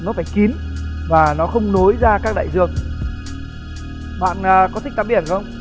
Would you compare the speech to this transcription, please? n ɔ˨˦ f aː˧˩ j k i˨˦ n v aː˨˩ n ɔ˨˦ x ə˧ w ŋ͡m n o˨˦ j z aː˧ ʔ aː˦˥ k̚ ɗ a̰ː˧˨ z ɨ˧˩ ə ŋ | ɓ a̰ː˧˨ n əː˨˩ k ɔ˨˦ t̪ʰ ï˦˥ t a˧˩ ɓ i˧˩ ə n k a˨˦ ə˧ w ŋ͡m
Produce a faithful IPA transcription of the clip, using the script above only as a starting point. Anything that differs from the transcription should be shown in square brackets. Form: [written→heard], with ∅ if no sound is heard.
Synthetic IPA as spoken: n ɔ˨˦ f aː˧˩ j k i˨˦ n v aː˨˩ n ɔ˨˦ x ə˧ w ŋ͡m n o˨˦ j z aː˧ [ʔ→k] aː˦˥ k̚ ɗ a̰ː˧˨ z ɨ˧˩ ə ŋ | ɓ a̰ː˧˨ n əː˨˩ k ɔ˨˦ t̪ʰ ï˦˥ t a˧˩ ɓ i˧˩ ə n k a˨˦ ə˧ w ŋ͡m